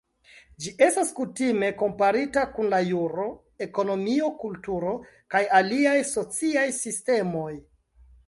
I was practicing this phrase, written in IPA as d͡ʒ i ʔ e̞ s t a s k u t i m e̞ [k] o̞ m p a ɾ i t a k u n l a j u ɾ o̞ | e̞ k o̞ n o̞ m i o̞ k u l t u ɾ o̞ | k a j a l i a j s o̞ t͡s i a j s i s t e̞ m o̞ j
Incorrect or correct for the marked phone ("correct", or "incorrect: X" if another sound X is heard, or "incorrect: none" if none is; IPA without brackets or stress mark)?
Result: correct